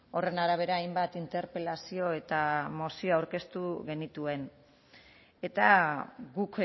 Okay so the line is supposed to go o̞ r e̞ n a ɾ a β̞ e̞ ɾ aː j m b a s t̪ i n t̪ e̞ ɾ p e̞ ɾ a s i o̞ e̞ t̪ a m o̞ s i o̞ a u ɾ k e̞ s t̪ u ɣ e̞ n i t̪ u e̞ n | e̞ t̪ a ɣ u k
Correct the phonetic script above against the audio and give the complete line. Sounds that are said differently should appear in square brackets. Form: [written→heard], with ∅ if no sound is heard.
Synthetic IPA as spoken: o̞ r e̞ n a ɾ a β̞ e̞ ɾ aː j m b a [s→∅] t̪ i n t̪ e̞ ɾ p e̞ [ɾ→l] a s i o̞ e̞ t̪ a m o̞ s i o̞ a [u→w] ɾ k e̞ s t̪ u ɣ e̞ n i t̪ u e̞ n | e̞ t̪ a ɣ u k

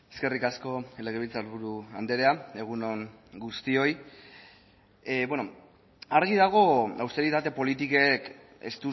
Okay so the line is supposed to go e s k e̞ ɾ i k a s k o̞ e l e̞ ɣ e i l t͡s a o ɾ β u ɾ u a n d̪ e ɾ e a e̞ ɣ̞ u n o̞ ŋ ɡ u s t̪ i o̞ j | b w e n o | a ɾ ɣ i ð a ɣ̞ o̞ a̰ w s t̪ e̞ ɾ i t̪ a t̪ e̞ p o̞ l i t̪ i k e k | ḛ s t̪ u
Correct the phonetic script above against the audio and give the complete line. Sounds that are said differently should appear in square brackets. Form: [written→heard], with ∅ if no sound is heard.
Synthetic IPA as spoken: e s k e̞ [ɾ→r] i k a s k o̞ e l e̞ ɣ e i l t͡s a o ɾ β u ɾ u a n d̪ e ɾ e a e̞ ɣ̞ u n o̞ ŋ ɡ u s t̪ i o̞ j | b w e n o | a ɾ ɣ i ð a ɣ̞ o̞ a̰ w s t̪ e̞ ɾ i t̪ a t̪ e̞ p o̞ l i t̪ i k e k | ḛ s t̪ u

